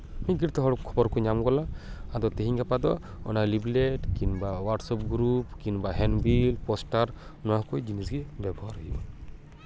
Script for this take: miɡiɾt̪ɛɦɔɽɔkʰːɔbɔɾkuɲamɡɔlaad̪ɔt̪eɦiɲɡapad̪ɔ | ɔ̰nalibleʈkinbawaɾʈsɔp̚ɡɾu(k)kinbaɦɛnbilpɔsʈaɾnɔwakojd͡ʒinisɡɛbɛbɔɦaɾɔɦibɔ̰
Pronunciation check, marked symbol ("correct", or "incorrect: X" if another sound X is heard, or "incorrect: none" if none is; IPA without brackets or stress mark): incorrect: p